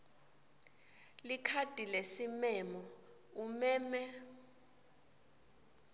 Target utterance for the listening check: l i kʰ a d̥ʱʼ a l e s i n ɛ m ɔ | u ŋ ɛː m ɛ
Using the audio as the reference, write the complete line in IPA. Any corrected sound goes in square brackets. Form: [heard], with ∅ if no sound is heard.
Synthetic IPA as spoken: l i kʰ a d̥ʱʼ [i] l e s i [m] ɛ m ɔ | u [m] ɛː m ɛ